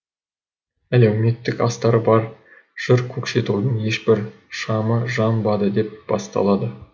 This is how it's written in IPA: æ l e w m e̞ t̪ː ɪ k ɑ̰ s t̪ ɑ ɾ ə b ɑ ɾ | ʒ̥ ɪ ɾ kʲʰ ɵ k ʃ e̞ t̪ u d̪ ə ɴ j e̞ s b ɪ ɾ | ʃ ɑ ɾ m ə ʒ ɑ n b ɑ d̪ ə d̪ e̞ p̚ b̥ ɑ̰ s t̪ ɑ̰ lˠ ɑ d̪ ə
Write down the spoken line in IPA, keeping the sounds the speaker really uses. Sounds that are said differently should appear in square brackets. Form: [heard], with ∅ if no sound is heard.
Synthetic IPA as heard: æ l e w m e̞ t̪ː ɪ k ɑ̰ s t̪ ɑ ɾ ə b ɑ ɾ | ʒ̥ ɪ ɾ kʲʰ ɵ k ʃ e̞ t̪ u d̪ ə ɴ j e̞ [ʃ] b ɪ ɾ | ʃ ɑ [∅] m ə ʒ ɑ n b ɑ d̪ ə d̪ e̞ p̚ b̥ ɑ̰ s t̪ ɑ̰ lˠ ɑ d̪ ə